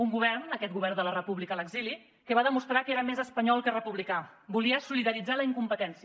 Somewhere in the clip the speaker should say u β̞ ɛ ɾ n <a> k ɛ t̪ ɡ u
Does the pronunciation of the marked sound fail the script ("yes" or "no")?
yes